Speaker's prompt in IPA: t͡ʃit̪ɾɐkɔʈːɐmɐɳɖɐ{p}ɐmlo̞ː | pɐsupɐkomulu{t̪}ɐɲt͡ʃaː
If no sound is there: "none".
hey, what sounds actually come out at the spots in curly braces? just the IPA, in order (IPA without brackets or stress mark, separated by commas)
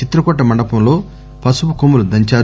p, d̪